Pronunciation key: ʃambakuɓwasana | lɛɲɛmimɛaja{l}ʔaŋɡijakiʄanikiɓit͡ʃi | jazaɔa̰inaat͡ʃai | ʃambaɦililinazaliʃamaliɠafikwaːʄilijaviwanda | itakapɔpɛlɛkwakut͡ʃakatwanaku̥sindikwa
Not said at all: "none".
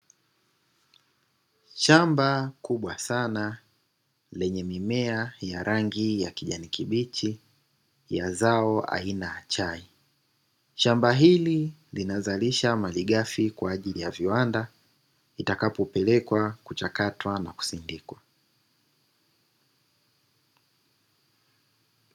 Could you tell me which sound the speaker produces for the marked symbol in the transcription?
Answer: ɾ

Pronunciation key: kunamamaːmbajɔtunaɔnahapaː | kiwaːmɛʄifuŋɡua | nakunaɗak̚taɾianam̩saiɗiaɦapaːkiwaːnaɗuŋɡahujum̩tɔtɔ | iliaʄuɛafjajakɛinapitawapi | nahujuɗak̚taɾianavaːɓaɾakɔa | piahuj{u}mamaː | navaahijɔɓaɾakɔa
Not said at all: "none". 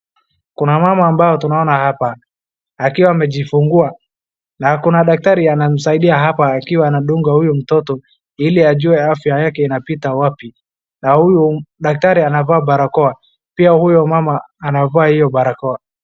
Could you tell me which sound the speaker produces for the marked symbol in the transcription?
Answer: ɔ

